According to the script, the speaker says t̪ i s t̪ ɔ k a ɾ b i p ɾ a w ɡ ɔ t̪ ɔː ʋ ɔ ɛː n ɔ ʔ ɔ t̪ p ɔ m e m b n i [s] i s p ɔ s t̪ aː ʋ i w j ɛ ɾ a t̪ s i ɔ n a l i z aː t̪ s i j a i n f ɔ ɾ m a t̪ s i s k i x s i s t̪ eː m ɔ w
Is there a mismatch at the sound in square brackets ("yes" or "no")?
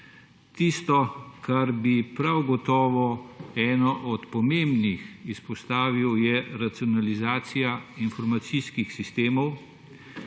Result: yes